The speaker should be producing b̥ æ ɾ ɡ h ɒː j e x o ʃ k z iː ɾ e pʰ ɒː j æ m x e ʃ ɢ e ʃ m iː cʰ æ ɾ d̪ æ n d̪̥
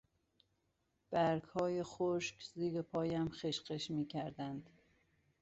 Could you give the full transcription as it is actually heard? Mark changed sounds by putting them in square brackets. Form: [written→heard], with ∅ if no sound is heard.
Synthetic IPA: b̥ æ ɾ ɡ h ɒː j e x o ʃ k z iː ɾ e pʰ ɒː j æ m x e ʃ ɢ e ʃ m iː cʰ æ ɾ d̪ æ n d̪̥

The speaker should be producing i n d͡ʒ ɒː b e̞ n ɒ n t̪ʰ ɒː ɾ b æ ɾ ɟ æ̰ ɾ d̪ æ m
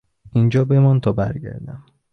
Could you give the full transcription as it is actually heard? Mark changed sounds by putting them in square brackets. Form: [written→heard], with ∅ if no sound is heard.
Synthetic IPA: i n d͡ʒ ɒː b e̞ [n→m] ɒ n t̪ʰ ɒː [ɾ→∅] b æ ɾ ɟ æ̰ ɾ d̪ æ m

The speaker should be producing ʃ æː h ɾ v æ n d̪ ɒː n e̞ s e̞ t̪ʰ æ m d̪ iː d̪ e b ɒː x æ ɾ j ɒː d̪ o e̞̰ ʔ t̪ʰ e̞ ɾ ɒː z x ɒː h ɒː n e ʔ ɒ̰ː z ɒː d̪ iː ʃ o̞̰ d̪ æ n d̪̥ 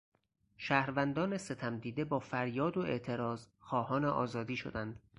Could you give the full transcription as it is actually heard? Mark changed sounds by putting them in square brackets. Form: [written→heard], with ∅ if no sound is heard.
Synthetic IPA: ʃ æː h ɾ v æ n d̪ ɒː n e̞ s e̞ t̪ʰ æ m d̪ iː d̪ e b ɒː [x→f] æ ɾ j ɒː d̪ o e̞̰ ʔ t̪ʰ e̞ ɾ ɒː z x ɒː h ɒː n e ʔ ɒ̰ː z ɒː d̪ iː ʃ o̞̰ d̪ æ n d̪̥

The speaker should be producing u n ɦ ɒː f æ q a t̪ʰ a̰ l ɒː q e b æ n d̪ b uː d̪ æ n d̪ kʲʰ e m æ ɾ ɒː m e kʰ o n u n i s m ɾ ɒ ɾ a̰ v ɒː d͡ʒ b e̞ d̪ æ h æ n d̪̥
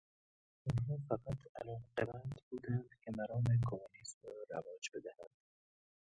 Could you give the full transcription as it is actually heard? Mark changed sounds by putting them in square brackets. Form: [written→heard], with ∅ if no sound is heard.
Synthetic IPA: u n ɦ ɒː f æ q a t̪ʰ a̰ l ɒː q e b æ n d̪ b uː d̪ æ n d̪ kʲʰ e m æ ɾ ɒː m e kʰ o [n→m] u n i s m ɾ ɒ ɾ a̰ v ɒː d͡ʒ b e̞ d̪ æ h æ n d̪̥

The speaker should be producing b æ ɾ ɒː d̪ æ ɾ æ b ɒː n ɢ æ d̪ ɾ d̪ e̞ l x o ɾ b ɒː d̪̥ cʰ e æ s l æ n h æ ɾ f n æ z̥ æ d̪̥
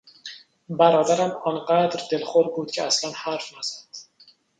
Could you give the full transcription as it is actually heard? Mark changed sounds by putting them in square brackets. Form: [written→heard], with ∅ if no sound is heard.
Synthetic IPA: b æ ɾ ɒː d̪ æ ɾ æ [b→m] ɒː n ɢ æ d̪ ɾ d̪ e̞ l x o ɾ b [ɒː→uː] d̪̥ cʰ e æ s l æ n h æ ɾ f n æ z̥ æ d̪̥

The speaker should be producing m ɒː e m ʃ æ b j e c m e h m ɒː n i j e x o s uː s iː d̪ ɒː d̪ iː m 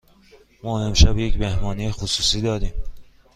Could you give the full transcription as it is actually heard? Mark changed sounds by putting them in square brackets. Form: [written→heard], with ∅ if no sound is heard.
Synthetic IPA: m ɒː e m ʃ æ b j e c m e h m ɒː n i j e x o s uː s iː d̪ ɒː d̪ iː m

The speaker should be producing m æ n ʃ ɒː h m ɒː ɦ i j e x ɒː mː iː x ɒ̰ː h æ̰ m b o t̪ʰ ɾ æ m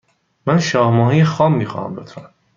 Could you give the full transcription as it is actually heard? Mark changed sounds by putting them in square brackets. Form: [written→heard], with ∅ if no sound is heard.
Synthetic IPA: m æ n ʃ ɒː h m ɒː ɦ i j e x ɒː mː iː x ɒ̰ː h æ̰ m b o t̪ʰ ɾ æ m

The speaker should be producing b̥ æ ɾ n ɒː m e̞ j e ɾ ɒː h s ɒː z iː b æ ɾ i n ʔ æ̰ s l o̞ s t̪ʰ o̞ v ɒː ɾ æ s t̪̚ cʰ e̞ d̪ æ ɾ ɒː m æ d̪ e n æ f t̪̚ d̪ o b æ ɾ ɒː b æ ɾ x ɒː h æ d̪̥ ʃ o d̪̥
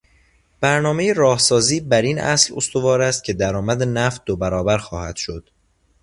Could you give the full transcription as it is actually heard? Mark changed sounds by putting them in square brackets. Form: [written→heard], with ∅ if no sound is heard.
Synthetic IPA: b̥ æ ɾ n ɒː m e̞ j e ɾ ɒː h s ɒː z iː b æ ɾ i n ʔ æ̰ s l o̞ s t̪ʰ o̞ v ɒː ɾ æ s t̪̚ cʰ e̞ d̪ æ ɾ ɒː m æ d̪ e n æ f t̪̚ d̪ o b æ ɾ ɒː b æ ɾ x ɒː h æ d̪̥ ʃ o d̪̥

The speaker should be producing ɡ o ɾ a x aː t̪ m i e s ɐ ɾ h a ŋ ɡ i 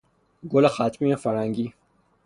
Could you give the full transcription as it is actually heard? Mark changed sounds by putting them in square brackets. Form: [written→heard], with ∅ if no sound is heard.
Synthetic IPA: ɡ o [ɾ→l] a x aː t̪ m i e [s→f] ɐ ɾ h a ŋ ɡ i

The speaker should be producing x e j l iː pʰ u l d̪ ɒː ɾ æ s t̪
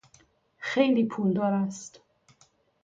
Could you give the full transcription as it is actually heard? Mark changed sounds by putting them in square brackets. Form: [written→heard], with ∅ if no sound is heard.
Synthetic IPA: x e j l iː pʰ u l d̪ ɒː ɾ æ s t̪

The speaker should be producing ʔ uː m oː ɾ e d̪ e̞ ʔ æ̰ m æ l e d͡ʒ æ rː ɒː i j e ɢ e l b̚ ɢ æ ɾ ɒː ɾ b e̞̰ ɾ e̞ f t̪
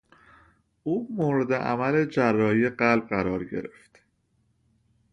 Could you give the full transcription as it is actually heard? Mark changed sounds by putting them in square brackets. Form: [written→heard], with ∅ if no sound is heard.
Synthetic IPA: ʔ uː m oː ɾ e d̪ e̞ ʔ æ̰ m æ l e d͡ʒ æ rː ɒː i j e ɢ [e→æ] l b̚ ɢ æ ɾ ɒː ɾ [b→ɟ] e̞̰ ɾ e̞ f t̪

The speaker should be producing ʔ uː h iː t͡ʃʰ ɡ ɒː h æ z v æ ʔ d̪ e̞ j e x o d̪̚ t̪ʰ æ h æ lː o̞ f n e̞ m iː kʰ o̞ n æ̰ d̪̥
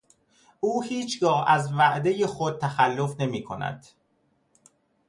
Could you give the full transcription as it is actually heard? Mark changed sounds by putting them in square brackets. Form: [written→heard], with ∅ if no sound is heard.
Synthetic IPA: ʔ uː h iː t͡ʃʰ ɡ ɒː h æ z v æ ʔ d̪ e̞ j e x o d̪̚ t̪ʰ æ [h→x] æ lː o̞ f n e̞ m iː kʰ o̞ n æ̰ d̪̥

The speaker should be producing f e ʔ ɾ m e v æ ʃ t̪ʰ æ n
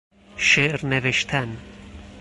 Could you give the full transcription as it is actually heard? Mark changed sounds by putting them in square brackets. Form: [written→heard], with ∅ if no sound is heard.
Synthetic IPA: [f→ʃ] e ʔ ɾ [m→n] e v [æ→e] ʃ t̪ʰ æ n

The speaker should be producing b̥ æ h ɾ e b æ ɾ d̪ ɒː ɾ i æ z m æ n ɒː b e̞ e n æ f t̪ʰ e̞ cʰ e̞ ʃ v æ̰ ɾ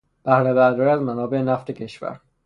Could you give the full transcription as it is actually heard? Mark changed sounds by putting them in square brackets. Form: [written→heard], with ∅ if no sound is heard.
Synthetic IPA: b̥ æ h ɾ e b æ ɾ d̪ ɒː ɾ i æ z m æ n ɒː b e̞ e n æ f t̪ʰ e̞ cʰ e̞ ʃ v æ̰ ɾ

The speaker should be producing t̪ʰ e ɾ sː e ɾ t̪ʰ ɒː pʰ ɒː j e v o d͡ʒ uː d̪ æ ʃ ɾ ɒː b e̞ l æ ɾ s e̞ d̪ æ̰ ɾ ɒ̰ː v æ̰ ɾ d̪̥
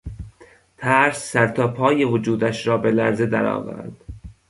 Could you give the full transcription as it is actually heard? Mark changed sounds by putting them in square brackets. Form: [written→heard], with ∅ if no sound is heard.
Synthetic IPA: t̪ʰ [e→æ] ɾ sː [e→æ] ɾ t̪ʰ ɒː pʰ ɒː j e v o d͡ʒ uː d̪ æ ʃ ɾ ɒː b e̞ l æ ɾ [s→z] e̞ d̪ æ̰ ɾ ɒ̰ː v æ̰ ɾ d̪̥

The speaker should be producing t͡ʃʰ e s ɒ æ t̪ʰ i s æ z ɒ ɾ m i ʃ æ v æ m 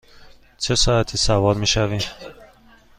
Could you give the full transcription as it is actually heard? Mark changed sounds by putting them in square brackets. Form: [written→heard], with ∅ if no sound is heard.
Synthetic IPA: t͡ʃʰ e s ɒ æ t̪ʰ i s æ [z→v] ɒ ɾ m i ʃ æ v [æ→i] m

